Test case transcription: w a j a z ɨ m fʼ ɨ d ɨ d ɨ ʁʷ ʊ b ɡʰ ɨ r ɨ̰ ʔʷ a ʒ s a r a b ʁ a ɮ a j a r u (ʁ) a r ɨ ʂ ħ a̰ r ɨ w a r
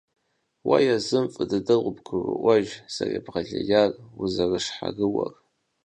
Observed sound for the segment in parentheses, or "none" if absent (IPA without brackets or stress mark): z